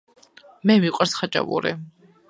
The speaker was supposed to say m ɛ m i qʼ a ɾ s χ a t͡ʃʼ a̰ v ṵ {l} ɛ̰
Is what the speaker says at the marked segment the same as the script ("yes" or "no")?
no